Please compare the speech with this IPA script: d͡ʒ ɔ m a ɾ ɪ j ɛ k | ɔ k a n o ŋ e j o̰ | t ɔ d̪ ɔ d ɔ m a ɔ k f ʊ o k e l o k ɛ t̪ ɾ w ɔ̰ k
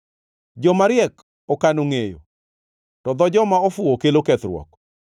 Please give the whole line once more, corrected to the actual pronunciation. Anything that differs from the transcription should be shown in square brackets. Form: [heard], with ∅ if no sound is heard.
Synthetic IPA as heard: d͡ʒ ɔ m a ɾ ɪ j ɛ k | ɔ k a n o ŋ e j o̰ | t ɔ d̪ ɔ [d͡ʒ] ɔ m a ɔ [∅] f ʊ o k e l o k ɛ t̪ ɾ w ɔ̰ k